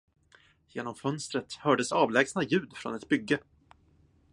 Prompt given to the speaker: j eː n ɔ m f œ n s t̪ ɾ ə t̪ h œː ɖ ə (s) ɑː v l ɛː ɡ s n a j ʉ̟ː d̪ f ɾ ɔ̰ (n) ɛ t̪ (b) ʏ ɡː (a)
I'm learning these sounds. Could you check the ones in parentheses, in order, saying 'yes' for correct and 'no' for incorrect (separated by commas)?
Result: yes, yes, yes, no